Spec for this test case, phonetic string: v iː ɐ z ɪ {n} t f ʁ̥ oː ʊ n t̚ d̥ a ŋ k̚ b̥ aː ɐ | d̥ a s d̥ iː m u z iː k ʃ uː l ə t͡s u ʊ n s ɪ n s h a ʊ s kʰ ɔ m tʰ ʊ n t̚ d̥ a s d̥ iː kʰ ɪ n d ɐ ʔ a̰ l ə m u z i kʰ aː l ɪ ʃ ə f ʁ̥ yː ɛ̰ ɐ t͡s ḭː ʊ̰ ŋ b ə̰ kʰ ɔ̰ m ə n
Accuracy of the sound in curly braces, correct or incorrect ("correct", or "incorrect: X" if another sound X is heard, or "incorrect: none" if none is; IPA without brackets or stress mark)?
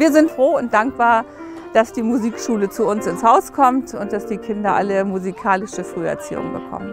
correct